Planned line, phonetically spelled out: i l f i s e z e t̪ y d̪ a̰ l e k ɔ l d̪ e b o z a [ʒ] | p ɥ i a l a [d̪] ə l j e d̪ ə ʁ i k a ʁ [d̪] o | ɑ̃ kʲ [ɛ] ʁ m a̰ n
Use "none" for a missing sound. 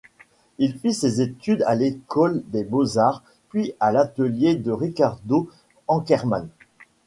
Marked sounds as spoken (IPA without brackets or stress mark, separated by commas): ʁ, t̪, d̪, ɛ